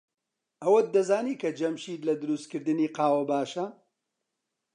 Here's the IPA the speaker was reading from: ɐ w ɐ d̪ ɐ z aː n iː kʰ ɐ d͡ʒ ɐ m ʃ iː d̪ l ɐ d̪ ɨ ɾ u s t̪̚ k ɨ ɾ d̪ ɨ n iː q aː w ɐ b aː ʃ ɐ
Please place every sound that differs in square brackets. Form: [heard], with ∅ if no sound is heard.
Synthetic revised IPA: ɐ w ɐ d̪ ɐ z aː n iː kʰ ɐ d͡ʒ ɐ m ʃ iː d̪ l ɐ d̪ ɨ ɾ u s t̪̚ k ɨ ɾ d̪ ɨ n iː q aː w ɐ b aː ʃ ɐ